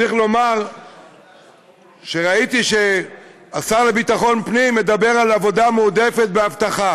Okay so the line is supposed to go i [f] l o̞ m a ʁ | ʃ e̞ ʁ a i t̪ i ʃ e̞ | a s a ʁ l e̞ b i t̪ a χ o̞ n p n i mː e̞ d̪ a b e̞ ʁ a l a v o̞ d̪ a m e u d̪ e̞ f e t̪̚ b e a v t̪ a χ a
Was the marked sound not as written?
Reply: yes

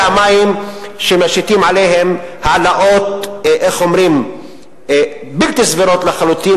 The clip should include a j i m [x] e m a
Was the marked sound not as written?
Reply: yes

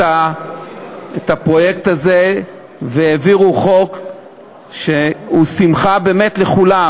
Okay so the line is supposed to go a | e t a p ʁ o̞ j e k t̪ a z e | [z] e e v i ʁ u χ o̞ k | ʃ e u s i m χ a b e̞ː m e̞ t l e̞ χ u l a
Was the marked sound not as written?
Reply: yes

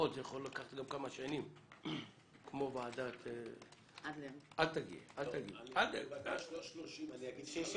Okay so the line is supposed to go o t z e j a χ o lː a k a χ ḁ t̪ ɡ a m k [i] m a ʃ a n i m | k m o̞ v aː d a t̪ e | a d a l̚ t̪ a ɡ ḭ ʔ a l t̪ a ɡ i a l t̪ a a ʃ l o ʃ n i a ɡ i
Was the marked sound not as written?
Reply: yes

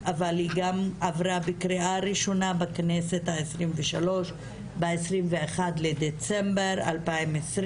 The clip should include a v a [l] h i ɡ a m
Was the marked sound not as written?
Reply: no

